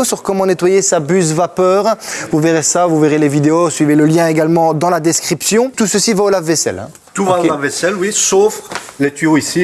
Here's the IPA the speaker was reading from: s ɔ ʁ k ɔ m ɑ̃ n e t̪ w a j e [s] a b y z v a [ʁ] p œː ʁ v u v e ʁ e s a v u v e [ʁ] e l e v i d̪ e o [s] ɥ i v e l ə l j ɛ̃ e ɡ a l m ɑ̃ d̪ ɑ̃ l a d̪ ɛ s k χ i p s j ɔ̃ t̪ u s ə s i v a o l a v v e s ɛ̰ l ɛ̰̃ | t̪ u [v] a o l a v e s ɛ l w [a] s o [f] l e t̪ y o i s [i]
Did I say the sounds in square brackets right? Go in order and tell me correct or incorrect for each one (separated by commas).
correct, incorrect, correct, correct, correct, incorrect, correct, correct